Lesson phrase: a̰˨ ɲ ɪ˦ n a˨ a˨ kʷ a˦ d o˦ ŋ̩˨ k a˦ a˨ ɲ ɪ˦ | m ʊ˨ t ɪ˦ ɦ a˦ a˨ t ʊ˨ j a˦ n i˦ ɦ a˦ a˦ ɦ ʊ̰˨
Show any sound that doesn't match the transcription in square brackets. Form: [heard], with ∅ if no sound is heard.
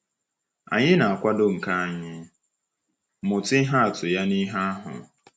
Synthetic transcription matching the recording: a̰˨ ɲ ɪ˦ n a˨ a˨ kʷ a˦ d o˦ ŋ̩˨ k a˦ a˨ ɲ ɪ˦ | m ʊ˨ t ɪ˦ ɦ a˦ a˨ t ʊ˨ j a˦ n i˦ ɦ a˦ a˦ ɦ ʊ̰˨